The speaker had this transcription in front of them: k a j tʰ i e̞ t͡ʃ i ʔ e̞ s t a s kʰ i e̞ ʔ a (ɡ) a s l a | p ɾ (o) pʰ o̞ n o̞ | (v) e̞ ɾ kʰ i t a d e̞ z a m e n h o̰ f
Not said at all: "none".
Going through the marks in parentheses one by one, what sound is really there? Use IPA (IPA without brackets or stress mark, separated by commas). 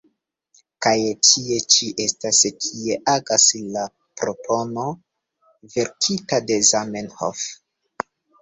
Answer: ɡ, o, v